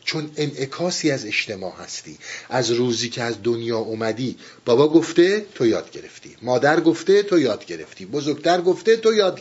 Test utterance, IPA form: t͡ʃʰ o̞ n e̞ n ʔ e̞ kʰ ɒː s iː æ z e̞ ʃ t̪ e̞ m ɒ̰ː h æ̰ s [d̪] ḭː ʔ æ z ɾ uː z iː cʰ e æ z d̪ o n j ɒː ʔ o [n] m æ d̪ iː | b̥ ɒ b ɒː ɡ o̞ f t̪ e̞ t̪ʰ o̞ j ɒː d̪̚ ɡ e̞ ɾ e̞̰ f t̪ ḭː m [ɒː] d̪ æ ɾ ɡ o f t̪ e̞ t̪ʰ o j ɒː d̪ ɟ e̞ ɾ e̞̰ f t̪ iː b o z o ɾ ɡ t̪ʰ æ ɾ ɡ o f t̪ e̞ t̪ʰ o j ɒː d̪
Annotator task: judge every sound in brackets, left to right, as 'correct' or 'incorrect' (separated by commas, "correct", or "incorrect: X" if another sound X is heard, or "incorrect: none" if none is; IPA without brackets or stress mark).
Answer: incorrect: t̪, incorrect: none, correct